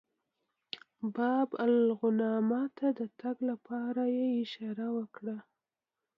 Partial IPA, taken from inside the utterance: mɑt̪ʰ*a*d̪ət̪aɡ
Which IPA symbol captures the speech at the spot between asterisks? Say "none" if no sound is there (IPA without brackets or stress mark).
a